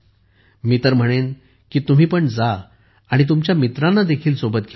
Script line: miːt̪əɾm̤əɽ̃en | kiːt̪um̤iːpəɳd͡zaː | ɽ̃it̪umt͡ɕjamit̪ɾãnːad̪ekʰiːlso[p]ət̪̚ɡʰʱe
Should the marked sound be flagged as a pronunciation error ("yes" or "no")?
yes